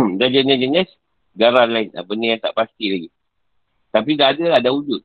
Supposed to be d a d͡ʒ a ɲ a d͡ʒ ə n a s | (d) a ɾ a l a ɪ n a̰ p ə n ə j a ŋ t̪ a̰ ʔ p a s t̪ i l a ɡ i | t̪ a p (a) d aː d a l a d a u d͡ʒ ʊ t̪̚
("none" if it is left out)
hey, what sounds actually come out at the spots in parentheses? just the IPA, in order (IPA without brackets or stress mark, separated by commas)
ɡ, i